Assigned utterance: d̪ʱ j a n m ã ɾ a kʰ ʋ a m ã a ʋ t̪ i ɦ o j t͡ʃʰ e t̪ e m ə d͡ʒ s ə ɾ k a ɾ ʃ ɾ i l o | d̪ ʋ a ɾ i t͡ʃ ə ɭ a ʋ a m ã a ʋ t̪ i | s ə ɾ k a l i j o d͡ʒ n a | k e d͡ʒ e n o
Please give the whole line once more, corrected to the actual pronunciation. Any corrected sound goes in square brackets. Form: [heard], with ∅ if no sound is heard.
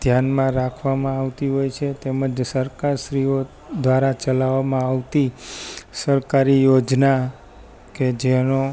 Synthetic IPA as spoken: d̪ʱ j a n m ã ɾ a kʰ ʋ a m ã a ʋ t̪ i ɦ o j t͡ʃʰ e t̪ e m ə d͡ʒ s ə ɾ k a ɾ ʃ ɾ i [∅] o | d̪ ʋ a ɾ [a] t͡ʃ ə [l] a ʋ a m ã a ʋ t̪ i | s ə ɾ k a [ɾ] i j o d͡ʒ n a | k e d͡ʒ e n o